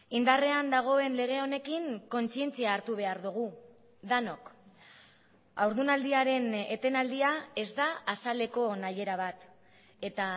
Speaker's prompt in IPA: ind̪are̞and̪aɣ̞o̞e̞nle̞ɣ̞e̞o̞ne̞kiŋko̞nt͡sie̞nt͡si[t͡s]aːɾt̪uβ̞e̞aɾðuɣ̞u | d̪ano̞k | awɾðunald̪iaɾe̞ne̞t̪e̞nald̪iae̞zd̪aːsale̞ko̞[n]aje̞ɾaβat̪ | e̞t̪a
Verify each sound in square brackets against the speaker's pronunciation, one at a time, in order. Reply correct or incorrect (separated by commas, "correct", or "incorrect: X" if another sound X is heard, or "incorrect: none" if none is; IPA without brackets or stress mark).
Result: incorrect: none, correct